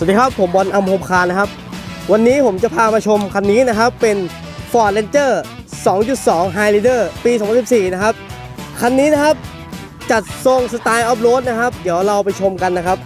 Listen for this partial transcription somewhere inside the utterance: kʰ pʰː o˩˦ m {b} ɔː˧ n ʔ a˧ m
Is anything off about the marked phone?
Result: no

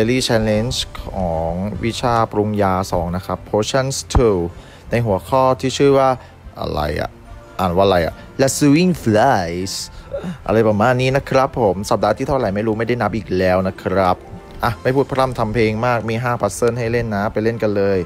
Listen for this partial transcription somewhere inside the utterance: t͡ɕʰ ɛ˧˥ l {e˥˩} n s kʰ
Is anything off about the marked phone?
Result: yes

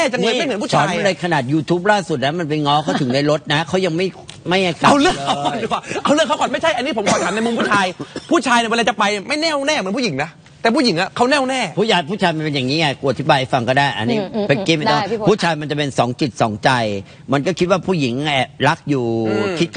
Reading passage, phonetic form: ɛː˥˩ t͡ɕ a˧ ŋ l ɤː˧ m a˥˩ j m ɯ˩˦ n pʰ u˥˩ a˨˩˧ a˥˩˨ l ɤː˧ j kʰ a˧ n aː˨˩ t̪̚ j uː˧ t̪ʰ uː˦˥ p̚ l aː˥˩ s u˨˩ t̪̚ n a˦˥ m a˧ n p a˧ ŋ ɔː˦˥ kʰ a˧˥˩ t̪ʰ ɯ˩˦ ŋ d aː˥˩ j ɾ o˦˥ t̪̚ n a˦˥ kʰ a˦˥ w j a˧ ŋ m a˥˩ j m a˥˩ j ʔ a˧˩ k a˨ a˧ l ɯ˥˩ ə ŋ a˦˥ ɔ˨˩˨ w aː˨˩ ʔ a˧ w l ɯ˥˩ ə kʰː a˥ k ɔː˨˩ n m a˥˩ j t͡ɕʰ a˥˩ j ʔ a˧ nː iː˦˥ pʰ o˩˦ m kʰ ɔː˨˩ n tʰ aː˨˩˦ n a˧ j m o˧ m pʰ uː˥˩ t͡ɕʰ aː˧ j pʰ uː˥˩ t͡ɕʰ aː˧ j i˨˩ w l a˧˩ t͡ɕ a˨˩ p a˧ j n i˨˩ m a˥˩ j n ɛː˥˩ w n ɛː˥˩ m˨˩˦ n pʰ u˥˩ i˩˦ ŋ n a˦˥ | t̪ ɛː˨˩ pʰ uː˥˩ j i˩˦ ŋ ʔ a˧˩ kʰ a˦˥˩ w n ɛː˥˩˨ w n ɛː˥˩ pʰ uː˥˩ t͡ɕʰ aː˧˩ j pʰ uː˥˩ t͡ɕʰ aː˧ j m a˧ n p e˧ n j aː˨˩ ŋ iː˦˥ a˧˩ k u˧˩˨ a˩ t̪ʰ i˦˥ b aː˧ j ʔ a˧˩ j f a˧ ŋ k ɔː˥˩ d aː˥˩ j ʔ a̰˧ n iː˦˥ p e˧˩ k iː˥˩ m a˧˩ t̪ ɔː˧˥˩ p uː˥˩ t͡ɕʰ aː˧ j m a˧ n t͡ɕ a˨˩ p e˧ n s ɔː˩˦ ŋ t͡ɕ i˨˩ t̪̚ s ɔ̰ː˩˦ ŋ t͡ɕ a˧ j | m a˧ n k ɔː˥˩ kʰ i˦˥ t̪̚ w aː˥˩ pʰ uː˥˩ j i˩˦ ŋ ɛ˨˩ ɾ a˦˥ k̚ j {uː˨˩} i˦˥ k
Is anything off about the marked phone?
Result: no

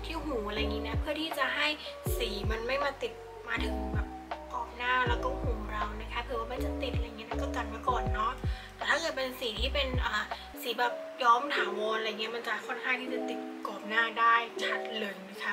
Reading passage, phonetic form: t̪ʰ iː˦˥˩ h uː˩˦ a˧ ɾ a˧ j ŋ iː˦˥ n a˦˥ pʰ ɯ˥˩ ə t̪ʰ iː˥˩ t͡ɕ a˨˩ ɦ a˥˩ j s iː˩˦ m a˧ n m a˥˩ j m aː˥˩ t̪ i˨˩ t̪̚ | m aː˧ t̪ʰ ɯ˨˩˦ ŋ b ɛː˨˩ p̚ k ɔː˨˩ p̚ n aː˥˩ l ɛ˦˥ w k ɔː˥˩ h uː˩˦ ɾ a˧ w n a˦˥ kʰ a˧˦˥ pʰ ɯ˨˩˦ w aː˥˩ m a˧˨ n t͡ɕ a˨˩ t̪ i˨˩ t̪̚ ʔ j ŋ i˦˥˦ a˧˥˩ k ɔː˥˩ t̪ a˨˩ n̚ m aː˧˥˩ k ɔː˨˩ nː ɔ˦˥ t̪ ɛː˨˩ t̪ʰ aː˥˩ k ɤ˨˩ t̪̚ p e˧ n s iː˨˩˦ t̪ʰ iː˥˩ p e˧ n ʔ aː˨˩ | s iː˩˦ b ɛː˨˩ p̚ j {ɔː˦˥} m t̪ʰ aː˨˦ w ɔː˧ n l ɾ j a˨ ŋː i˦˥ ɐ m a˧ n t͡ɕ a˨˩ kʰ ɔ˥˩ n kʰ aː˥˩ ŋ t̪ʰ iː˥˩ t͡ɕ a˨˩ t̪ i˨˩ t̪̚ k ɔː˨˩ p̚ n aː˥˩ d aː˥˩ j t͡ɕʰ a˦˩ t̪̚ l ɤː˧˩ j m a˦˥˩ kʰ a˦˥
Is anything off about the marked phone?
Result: no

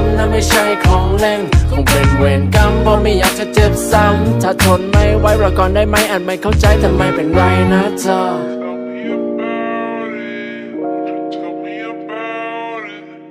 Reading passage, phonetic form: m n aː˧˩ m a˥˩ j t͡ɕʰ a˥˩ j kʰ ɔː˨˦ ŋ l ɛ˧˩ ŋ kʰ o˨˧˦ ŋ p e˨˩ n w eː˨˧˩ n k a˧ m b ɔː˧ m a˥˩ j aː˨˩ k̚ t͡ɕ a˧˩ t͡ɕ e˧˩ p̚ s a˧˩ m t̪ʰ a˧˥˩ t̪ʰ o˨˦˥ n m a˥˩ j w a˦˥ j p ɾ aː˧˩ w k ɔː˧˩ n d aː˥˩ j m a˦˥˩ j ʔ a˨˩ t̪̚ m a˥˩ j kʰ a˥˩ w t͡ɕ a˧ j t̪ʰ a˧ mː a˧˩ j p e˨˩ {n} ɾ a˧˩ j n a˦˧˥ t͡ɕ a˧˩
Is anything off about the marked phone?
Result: no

